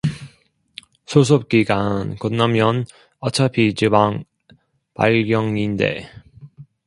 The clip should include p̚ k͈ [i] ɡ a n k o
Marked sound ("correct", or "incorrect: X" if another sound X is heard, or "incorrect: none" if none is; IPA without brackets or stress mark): correct